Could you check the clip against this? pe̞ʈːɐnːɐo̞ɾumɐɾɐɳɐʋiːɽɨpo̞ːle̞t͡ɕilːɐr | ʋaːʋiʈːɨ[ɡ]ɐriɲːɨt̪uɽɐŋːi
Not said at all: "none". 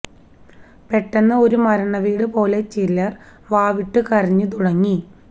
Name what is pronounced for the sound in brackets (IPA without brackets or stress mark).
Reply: k